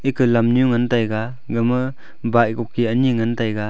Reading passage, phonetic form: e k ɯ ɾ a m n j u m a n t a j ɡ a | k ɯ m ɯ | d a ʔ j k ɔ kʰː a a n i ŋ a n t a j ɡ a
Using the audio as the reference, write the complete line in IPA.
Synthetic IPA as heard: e k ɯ l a m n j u ŋ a n t a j ɡ a | ɡ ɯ m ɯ | b a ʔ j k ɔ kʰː i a n i ŋ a n t a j ɡ a